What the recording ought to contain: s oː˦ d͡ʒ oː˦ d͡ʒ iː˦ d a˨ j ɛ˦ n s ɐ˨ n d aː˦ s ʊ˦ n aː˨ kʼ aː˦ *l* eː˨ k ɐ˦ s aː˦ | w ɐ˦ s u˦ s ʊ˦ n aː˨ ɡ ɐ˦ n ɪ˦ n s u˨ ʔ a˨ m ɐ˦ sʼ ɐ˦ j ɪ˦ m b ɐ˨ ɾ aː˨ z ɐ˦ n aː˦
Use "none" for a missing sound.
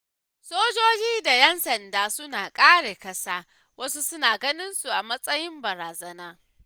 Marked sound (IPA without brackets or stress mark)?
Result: ɽ